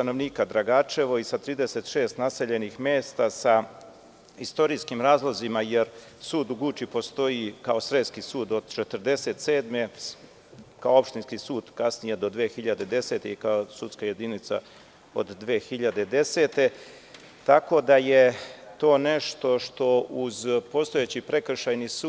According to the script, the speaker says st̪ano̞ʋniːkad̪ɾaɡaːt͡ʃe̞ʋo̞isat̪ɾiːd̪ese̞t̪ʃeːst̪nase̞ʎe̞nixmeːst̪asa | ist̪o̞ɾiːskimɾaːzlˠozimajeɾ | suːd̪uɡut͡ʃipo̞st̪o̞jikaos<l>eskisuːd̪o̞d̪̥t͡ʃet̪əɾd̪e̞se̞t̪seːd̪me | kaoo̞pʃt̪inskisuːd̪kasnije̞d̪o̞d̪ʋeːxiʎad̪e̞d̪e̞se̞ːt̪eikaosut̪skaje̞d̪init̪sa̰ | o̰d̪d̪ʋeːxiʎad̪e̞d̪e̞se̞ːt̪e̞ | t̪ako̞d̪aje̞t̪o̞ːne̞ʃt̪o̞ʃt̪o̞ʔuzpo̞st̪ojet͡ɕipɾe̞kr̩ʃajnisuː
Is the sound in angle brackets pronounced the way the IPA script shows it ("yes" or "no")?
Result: no